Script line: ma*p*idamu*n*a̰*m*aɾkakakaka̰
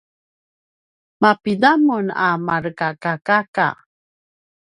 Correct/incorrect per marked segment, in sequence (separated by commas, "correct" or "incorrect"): correct, correct, correct